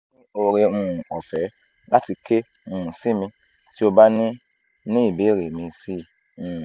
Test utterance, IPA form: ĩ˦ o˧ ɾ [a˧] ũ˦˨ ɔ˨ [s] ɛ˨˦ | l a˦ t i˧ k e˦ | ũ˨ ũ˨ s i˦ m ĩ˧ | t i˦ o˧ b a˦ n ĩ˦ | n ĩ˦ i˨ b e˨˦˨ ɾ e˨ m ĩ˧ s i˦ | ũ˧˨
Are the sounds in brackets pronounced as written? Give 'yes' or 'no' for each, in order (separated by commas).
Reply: no, no